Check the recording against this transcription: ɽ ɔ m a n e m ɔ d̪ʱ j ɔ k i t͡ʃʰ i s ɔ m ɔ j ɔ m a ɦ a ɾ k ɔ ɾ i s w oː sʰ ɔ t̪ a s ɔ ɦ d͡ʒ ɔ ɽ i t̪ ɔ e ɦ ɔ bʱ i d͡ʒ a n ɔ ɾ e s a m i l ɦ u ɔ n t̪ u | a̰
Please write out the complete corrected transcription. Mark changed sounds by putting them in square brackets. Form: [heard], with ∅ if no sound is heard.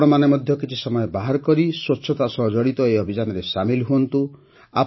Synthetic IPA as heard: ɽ ɔ m a n e m ɔ d̪ʱ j ɔ k i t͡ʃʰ i s ɔ m ɔ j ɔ [b] a ɦ a ɾ k ɔ ɾ i s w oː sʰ ɔ t̪ a s ɔ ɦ d͡ʒ ɔ ɽ i t̪ ɔ e [∅] ɔ bʱ i d͡ʒ a n ɔ ɾ e s a m i l ɦ u ɔ n t̪ u | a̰